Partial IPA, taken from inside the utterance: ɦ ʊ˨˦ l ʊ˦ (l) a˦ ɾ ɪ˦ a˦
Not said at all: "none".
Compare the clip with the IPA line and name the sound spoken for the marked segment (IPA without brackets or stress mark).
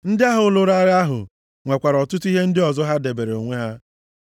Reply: ɾ